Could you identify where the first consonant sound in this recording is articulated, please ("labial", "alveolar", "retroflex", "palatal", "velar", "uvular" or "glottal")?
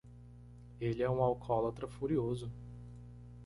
alveolar